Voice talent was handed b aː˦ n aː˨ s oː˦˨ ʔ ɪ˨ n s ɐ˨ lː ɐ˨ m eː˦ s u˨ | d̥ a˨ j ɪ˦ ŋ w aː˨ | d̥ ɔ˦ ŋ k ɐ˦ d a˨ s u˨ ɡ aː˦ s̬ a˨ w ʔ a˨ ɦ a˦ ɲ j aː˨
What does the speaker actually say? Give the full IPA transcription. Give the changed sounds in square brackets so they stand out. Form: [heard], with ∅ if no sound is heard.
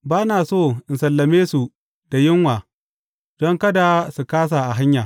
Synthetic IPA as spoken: b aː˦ n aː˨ s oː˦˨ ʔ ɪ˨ n s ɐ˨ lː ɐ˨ m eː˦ s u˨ | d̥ a˨ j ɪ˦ ŋ w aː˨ | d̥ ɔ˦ ŋ k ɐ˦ d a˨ s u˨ [k] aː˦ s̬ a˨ [∅] ʔ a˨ ɦ a˦ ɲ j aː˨